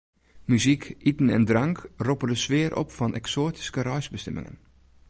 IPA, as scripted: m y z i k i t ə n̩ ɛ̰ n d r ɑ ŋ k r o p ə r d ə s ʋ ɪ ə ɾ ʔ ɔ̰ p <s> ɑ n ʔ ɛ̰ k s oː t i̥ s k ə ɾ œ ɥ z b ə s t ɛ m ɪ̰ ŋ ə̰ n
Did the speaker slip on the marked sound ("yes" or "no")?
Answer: yes